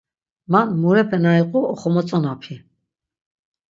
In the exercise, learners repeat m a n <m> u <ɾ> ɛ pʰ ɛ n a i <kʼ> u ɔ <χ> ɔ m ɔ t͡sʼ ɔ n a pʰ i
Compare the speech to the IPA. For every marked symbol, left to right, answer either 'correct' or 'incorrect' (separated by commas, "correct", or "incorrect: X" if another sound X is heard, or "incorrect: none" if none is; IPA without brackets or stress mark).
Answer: correct, correct, incorrect: qʼ, correct